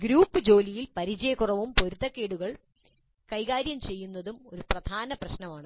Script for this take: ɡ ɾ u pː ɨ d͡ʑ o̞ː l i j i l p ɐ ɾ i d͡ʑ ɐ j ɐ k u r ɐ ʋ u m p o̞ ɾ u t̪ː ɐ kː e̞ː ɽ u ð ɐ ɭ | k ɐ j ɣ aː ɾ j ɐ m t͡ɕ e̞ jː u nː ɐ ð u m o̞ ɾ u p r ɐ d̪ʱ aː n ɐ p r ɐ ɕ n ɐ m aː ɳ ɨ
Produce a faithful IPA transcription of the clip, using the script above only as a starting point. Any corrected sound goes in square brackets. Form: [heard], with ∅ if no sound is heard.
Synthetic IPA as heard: ɡ ɾ [uː] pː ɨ d͡ʑ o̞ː l i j i l p ɐ ɾ i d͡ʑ ɐ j ɐ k u r ɐ ʋ u m p o̞ ɾ u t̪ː ɐ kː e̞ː ɽ u [ɣ] ɐ ɭ | k ɐ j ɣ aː ɾ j ɐ m t͡ɕ e̞ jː u nː ɐ ð u m o̞ ɾ u p r ɐ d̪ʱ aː n ɐ p r ɐ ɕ n ɐ m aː ɳ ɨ